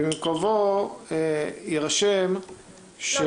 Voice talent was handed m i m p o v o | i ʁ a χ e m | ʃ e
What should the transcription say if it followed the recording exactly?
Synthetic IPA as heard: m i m k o v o | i ʁ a ʃ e m | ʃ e